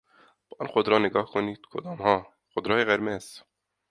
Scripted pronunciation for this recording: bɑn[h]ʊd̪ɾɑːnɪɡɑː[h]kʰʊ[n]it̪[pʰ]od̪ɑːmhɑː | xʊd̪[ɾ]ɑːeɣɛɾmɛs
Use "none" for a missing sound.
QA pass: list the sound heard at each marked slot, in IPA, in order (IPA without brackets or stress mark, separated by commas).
x, h, n, kʰ, ɾ